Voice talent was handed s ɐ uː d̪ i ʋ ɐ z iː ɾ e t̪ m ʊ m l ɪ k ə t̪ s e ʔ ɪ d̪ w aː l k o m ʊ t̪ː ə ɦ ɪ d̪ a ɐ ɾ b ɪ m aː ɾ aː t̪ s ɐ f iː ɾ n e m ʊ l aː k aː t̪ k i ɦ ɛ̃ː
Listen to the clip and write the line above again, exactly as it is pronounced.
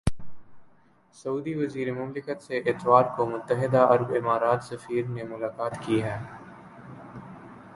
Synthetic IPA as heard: s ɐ uː d̪ i ʋ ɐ z iː ɾ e m ʊ m l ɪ k ə t̪ s e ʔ ɪ t̪ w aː ɾ k o m ʊ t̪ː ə ɦ ɪ d̪ a ɐ ɾ b ɪ m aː ɾ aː t̪ s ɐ f iː ɾ n e m ʊ l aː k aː t̪ k i ɦ ɛː